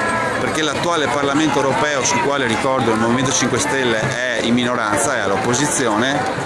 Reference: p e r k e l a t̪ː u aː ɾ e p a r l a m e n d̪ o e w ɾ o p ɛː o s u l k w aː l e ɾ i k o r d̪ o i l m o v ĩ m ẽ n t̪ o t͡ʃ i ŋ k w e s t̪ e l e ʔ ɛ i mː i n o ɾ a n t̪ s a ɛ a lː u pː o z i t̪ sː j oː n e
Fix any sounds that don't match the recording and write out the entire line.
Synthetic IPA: p e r k e l a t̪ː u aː l e p a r l a m e n t̪ o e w ɾ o p ɛː o s u l k w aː l e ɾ i k ɔ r d̪ o i l m o v i m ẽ n t̪ o t͡ʃ i ŋ k w e s t̪ e lː e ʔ ɛ i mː i n o ɾ a n t̪ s a ɛ a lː o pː o z i t̪ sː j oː n e